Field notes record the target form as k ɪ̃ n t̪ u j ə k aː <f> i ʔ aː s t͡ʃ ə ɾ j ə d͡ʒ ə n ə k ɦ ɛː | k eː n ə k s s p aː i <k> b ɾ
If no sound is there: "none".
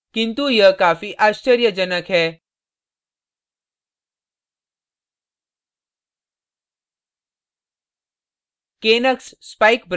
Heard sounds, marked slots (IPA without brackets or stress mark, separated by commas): f, k